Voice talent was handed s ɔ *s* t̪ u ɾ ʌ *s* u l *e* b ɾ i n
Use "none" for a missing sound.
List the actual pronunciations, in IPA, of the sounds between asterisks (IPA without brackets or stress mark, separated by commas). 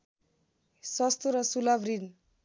s, s, a